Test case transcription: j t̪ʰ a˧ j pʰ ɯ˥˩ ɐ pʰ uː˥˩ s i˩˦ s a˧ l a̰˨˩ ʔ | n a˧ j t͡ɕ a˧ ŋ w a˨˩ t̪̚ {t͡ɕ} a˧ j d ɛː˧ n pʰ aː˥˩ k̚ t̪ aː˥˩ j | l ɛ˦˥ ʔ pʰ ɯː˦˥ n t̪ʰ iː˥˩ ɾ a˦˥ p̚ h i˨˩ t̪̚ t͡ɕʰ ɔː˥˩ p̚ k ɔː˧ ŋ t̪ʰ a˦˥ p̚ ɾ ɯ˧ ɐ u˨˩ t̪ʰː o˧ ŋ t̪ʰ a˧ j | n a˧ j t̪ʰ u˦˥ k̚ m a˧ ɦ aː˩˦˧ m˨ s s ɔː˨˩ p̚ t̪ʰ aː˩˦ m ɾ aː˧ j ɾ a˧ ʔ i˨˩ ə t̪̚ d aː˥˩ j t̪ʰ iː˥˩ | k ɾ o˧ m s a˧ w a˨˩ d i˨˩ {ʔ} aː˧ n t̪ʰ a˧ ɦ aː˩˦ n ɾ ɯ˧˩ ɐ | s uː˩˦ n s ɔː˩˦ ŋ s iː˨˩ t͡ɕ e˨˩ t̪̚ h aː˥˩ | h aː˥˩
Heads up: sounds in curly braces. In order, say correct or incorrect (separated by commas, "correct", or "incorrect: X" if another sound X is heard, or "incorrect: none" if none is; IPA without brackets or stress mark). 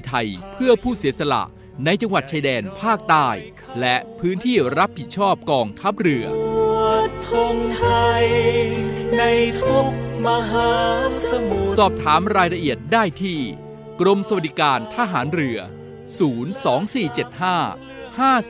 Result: incorrect: t͡ɕʰ, incorrect: k